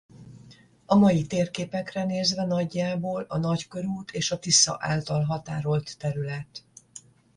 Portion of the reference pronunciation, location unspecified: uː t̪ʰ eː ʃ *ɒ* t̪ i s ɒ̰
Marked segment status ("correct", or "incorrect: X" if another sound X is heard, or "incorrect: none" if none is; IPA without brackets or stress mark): correct